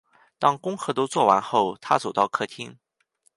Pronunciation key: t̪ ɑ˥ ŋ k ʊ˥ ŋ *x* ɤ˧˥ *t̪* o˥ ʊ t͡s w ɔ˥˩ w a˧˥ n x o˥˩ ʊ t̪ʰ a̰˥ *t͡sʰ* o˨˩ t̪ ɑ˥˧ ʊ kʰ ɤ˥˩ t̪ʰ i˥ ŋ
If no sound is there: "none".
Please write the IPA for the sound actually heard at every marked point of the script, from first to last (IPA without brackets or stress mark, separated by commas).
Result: x, t̪, t͡s